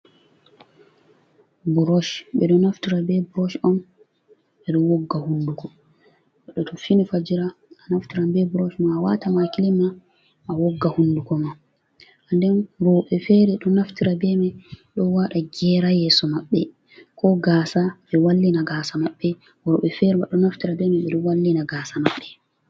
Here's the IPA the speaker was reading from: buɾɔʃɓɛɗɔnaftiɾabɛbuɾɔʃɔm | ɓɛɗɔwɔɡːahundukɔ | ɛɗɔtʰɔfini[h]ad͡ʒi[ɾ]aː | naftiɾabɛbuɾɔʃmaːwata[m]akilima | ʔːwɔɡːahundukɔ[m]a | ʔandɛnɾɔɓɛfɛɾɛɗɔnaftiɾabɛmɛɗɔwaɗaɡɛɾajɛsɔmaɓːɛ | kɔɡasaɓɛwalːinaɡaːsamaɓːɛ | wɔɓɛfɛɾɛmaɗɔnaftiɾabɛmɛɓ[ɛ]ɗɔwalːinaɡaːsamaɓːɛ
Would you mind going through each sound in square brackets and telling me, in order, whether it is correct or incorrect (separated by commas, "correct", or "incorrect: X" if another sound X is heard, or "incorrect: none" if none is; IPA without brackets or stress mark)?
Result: incorrect: f, correct, correct, correct, correct